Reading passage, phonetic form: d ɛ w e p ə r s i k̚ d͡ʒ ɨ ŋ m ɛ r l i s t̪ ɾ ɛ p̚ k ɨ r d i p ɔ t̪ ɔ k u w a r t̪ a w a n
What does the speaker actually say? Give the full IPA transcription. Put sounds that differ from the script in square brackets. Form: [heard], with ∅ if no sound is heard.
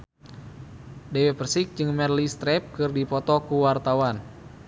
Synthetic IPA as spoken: d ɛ w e p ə r s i k̚ d͡ʒ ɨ ŋ m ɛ r l i s t̪ ɾ ɛ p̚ k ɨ r d i p ɔ t̪ ɔ k u w a r t̪ a w a n